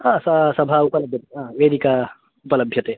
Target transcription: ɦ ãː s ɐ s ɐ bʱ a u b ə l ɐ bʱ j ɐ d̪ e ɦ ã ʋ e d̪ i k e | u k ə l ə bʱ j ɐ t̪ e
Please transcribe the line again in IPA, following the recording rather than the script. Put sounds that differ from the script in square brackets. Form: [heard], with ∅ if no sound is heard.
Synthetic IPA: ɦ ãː s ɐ s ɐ bʱ a u [p] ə l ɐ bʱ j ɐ [t̪] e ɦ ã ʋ e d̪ i k [a] | u [p] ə l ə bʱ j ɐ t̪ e